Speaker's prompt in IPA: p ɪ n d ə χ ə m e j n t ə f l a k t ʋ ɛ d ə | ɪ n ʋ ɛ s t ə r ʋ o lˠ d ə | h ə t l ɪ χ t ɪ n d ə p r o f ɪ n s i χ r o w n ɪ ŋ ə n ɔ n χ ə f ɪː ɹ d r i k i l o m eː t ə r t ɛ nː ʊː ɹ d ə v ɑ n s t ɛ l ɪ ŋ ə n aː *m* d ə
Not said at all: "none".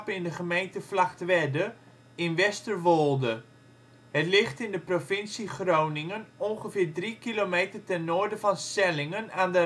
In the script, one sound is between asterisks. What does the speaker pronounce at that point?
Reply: n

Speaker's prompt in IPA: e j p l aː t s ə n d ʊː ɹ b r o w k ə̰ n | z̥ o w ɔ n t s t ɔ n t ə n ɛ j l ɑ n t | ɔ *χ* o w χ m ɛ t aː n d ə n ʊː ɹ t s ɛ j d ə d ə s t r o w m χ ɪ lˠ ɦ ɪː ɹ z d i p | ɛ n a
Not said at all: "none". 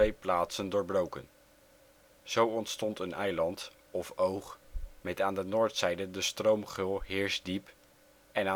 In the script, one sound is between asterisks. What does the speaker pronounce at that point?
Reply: f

